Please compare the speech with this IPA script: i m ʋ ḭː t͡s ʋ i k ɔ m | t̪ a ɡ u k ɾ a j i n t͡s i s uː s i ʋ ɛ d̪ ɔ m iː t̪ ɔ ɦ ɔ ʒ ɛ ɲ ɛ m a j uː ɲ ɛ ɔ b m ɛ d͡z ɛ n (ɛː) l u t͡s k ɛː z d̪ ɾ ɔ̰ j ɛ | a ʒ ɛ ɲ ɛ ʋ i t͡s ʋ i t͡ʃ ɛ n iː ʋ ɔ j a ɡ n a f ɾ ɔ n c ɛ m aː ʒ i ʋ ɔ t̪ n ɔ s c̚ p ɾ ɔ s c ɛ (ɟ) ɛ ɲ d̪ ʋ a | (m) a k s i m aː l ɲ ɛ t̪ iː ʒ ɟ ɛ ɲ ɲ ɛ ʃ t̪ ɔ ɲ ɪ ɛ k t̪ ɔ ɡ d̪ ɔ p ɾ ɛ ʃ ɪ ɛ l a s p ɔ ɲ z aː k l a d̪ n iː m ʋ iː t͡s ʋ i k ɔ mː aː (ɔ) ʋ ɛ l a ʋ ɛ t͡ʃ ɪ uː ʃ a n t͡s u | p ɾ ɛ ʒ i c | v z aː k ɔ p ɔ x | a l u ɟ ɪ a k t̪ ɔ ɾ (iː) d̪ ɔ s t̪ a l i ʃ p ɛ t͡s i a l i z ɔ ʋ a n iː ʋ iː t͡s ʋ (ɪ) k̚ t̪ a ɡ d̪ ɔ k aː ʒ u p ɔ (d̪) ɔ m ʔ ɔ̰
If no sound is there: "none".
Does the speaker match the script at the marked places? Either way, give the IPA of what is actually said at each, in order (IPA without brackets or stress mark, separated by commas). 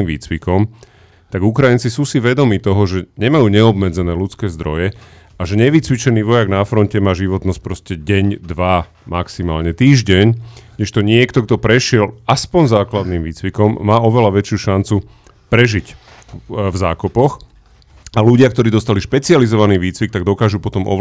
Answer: ɛː, ɟ, m, ɔ, iː, i, t̪